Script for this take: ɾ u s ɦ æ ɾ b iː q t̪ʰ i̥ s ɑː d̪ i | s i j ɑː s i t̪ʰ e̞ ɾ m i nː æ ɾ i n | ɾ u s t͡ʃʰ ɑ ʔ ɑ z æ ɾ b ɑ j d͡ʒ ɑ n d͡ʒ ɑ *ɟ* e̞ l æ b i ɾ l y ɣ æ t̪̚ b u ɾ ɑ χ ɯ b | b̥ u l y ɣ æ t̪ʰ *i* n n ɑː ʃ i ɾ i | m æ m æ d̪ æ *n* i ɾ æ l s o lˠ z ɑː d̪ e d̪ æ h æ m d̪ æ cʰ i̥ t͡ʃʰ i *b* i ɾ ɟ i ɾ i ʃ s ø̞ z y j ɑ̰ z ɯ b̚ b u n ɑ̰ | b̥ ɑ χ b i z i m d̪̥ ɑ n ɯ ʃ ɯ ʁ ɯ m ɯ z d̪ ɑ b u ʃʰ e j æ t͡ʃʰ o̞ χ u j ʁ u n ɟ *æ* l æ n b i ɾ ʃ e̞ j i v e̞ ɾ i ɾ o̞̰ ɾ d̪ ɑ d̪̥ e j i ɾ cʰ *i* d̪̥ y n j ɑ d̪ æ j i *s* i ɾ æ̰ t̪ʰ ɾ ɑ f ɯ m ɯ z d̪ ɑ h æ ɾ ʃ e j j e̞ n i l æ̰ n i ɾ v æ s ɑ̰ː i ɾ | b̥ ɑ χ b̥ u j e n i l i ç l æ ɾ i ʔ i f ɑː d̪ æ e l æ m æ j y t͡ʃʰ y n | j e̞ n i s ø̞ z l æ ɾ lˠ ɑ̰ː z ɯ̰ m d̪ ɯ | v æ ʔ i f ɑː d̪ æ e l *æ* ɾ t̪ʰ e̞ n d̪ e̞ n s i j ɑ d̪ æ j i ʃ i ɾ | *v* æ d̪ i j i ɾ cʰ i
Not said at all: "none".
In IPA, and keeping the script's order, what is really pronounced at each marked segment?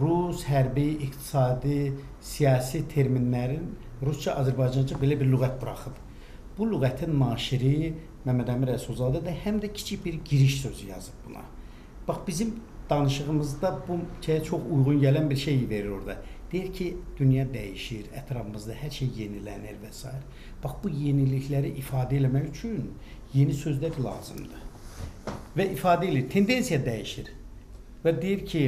b, i, m, b, æ, i, ʃ, i, v

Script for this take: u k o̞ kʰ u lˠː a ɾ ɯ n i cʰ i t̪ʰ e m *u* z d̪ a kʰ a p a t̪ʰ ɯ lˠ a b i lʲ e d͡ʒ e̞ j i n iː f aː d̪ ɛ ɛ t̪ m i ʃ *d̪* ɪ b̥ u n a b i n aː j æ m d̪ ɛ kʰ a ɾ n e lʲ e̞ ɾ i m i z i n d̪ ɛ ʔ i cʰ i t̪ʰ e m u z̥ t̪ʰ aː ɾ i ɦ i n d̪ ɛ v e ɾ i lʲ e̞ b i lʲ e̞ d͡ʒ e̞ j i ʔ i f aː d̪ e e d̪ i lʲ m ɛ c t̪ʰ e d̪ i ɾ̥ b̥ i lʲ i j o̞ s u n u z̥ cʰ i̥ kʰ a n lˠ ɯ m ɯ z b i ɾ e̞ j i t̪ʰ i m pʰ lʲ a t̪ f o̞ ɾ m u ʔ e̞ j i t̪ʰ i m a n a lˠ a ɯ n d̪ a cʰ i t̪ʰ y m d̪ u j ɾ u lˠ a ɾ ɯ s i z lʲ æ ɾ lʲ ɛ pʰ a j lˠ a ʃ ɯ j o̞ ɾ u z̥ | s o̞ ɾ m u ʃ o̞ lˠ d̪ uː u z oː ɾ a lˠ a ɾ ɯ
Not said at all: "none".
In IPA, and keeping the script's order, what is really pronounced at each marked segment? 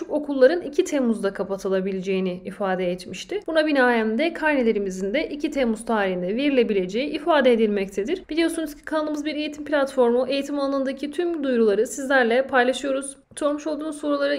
u, t̪

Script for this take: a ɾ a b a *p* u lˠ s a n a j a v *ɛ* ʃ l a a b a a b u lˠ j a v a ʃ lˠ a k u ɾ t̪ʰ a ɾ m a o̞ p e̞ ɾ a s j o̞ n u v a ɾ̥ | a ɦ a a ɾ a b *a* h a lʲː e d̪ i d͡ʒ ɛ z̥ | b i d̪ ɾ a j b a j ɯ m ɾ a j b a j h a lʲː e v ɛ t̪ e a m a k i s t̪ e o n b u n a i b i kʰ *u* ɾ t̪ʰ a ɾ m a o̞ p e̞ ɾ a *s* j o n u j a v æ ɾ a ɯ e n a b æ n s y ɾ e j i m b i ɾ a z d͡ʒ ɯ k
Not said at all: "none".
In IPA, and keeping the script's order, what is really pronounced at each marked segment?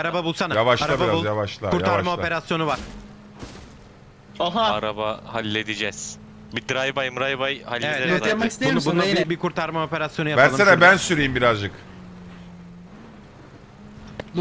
b, a, a, u, s

